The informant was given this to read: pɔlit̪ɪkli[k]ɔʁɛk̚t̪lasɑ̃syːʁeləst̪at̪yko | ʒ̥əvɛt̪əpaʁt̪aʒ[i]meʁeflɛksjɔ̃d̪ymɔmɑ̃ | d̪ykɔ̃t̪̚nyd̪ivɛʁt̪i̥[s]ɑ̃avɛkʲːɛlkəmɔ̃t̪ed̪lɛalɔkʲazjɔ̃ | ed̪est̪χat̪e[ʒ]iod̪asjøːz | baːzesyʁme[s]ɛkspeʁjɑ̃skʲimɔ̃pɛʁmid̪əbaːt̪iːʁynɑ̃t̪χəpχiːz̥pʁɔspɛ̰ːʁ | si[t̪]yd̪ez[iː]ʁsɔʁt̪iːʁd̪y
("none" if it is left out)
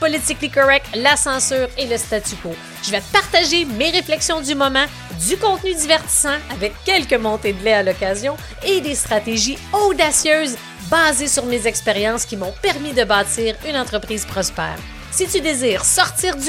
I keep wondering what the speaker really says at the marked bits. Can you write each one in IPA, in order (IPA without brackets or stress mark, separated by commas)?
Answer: k, e, s, ʒ, z, t̪, iː